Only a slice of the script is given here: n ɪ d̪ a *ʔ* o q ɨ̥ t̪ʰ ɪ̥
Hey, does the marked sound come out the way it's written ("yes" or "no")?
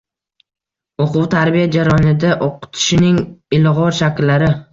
yes